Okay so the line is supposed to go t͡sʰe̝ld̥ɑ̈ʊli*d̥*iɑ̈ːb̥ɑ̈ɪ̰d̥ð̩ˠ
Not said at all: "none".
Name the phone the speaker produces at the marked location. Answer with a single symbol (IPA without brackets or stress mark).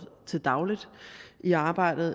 d̥